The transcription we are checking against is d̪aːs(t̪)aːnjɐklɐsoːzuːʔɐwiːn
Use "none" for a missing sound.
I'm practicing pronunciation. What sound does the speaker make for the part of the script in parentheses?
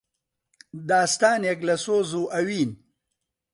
t̪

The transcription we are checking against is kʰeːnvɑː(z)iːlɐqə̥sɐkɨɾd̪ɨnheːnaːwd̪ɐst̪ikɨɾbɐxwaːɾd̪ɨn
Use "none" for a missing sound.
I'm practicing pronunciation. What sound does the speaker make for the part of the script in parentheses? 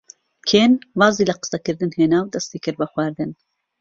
z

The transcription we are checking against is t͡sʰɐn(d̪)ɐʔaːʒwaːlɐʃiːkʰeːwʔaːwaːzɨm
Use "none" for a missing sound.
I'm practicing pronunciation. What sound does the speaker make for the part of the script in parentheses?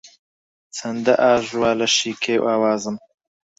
d̪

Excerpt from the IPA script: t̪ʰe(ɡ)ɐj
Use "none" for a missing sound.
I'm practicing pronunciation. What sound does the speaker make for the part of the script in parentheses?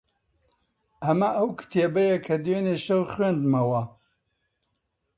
b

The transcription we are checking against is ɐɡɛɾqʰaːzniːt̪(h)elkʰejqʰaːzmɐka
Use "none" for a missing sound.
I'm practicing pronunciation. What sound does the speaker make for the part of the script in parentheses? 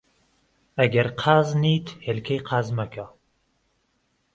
h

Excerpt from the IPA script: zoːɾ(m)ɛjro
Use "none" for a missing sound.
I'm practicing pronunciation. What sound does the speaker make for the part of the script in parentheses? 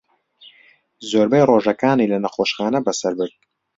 b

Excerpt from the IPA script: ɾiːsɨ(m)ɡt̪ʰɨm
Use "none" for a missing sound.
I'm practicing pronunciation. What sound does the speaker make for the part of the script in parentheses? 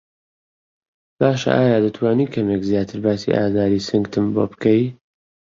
ŋ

